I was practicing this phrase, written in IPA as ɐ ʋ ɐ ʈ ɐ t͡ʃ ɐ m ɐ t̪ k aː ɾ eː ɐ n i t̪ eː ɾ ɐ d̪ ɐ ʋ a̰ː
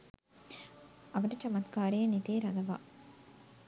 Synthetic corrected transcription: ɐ ʋ ɐ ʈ ɐ t͡ʃ ɐ m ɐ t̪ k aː ɾ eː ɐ n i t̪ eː ɾ ɐ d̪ ɐ ʋ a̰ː